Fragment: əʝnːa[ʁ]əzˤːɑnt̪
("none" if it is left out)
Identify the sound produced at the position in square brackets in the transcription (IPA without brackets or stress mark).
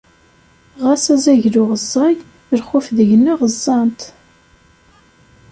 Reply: ʁ